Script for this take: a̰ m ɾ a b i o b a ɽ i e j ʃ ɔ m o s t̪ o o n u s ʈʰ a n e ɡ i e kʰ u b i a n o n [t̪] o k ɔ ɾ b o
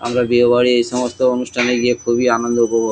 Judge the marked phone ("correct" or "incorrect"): incorrect